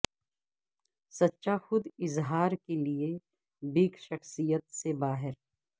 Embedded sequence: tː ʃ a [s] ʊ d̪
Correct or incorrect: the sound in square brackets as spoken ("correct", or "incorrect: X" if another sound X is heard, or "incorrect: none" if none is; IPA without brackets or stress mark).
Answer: incorrect: x